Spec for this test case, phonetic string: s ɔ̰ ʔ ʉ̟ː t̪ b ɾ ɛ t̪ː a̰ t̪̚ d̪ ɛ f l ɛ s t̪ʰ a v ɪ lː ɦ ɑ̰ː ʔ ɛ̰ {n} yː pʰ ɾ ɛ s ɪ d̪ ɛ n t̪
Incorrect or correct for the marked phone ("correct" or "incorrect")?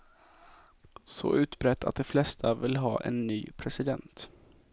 incorrect